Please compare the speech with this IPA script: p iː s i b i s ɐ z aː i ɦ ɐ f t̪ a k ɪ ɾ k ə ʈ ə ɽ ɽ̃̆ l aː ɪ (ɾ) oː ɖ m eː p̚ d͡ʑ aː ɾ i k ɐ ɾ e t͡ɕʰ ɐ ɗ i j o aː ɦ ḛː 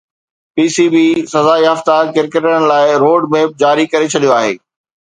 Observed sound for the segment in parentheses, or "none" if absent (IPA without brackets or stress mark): ɾ